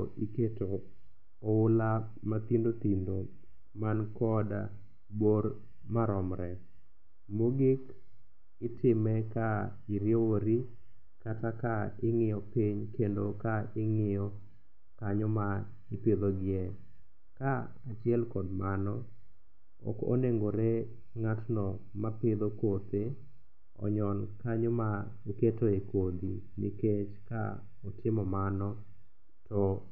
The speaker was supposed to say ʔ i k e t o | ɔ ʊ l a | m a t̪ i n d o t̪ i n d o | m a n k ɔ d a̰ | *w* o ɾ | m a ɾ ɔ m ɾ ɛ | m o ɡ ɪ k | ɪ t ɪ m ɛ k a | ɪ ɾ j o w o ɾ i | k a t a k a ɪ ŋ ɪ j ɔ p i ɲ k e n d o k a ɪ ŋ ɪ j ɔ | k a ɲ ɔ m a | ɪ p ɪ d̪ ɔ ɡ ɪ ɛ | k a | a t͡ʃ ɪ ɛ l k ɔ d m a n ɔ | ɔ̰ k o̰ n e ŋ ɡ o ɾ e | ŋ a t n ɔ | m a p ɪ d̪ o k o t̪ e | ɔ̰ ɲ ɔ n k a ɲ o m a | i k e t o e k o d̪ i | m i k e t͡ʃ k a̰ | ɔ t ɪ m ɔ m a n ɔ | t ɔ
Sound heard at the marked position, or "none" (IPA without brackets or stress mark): b